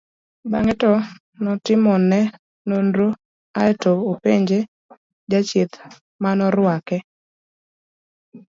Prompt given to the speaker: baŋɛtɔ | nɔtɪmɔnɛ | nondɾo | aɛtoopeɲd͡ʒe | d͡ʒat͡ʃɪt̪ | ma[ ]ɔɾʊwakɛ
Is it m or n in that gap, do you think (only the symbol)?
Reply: n